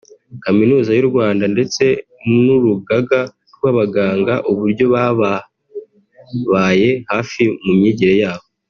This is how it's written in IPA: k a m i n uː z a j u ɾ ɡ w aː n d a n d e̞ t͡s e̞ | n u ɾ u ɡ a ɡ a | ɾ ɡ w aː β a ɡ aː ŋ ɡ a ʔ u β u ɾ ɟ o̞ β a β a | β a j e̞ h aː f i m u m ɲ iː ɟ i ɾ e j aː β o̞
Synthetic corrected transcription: k a m i n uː z a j u ɾ ɡ w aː n d a n d e̞ t͡s e̞ | n u ɾ u ɡ a ɡ a | ɾ ɡ w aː β a ɡ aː ŋ ɡ a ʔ u β u ɾ ɟ o̞ β a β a | β a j e̞ h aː f i m u m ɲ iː ɟ i ɾ e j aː β o̞